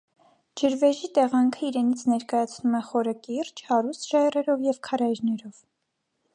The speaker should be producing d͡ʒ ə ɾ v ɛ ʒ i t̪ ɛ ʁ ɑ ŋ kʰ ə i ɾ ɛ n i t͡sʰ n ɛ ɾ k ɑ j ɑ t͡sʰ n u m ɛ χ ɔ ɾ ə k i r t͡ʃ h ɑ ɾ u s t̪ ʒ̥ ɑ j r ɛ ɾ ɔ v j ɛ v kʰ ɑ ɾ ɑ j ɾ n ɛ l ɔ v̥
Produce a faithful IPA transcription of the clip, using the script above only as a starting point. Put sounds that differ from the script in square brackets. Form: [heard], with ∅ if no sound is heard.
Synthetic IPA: d͡ʒ ə ɾ v ɛ ʒ i t̪ ɛ ʁ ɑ ŋ kʰ ə i ɾ ɛ n i t͡sʰ n ɛ ɾ k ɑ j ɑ t͡sʰ n u m ɛ χ ɔ ɾ ə k i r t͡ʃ h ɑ ɾ u s t̪ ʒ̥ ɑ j r ɛ ɾ ɔ v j ɛ v kʰ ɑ ɾ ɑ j ɾ n ɛ [ɾ] ɔ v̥